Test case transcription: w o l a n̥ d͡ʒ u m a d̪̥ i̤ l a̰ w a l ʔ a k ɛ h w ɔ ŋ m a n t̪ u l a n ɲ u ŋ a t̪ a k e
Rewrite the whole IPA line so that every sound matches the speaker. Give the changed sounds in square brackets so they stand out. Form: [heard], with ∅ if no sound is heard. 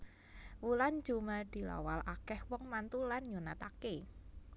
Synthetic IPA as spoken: w [u] l a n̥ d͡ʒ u m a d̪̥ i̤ l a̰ w a l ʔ a k ɛ h w ɔ ŋ m a n t̪ u l a n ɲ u [n] a t̪ a k e